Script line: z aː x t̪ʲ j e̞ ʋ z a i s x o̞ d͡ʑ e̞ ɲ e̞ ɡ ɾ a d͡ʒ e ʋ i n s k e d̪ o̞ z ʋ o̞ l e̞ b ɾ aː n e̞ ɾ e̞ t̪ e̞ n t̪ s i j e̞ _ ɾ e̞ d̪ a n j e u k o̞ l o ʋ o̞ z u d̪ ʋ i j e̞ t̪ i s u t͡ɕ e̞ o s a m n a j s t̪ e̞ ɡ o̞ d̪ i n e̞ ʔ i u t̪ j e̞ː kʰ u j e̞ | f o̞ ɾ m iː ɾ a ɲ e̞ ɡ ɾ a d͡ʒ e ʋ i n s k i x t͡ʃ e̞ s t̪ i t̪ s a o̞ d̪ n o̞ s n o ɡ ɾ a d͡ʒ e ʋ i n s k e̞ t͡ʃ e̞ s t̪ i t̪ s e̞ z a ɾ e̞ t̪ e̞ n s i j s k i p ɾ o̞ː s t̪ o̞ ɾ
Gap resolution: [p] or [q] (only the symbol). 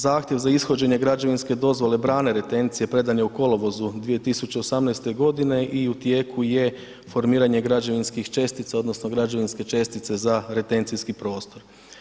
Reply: p